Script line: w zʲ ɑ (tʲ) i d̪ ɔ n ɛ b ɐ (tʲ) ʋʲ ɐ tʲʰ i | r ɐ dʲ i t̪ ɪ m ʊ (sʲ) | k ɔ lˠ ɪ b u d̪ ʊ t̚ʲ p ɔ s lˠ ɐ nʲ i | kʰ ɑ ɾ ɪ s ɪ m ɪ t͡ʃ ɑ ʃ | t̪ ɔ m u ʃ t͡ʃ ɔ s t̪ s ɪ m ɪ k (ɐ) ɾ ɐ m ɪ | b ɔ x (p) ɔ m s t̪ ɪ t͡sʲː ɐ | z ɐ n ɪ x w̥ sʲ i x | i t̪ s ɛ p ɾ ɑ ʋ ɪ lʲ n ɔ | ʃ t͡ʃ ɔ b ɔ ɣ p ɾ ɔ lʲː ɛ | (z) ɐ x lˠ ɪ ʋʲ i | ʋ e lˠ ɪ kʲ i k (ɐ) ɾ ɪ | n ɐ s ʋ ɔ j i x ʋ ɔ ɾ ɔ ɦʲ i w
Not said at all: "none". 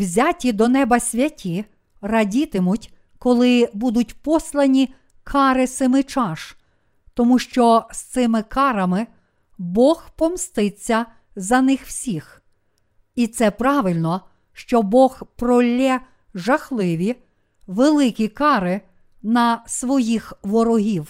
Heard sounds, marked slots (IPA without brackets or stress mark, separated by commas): tʲ, sʲ, tʲ, ɑ, p, ʒ, ɑ